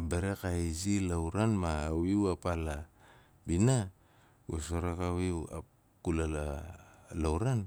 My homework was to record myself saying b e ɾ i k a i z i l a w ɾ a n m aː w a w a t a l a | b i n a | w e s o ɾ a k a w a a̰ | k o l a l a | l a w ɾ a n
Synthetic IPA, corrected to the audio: b e ɾ e k a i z i l a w ɾ a n m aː w i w a p a l a | b i n a | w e s o ɾ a k a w i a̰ | k u l a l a | l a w ɾ a n